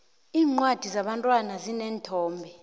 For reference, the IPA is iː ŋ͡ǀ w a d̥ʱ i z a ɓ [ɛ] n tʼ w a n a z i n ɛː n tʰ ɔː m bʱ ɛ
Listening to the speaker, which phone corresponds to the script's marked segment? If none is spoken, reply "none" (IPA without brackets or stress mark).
a